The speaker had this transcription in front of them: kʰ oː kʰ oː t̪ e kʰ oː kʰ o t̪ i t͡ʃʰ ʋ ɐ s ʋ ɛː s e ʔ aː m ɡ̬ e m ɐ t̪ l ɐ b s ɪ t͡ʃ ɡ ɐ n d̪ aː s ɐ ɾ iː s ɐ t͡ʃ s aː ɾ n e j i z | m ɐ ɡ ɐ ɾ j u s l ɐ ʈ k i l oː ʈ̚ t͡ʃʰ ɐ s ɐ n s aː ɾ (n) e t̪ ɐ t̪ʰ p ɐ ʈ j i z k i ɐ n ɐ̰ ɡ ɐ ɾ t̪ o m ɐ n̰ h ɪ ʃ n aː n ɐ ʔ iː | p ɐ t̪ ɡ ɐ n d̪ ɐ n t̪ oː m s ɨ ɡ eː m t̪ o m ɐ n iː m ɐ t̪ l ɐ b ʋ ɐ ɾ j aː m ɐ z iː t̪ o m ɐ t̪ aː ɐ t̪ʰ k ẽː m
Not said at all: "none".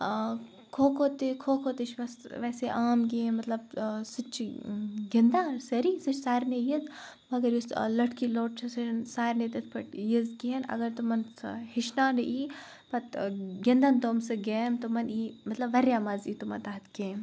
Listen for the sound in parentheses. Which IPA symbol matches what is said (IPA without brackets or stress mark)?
n